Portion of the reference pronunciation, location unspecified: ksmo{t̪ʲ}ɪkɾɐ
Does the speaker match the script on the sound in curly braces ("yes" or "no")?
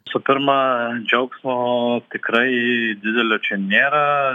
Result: yes